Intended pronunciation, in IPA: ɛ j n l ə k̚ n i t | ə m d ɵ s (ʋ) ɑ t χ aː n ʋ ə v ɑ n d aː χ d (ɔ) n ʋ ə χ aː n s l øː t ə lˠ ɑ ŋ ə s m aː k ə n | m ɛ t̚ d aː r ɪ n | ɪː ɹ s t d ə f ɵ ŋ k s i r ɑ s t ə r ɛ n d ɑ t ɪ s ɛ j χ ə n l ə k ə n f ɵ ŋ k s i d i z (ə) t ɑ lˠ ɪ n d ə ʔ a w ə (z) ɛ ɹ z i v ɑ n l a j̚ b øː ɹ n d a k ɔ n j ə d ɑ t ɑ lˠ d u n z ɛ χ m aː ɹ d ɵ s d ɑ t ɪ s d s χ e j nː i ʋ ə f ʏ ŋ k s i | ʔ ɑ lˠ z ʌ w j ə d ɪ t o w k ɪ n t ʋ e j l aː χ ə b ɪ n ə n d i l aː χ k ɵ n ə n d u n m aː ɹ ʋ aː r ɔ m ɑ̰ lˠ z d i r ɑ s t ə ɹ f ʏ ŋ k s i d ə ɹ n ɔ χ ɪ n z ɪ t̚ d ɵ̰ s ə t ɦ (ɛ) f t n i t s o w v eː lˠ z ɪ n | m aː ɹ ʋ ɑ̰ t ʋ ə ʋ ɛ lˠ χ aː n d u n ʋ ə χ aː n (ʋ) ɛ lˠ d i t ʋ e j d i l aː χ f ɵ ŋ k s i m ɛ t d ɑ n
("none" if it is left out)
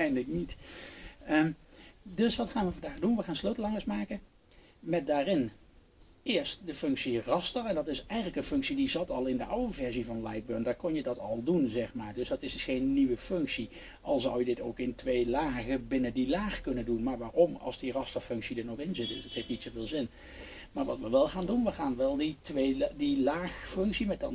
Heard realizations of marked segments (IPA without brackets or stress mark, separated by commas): ʋ, u, ɑ, v, e, ʋ